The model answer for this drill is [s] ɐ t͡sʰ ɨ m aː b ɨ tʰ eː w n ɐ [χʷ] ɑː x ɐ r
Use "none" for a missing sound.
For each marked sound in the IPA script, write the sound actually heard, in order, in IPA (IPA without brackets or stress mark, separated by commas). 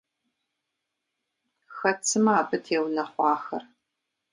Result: x, χʷ